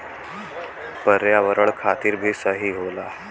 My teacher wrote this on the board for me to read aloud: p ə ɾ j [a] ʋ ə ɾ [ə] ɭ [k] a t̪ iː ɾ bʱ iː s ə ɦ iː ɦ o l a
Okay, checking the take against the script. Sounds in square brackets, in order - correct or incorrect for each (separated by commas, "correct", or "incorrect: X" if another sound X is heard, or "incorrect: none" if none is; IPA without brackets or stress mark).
correct, correct, incorrect: kʰ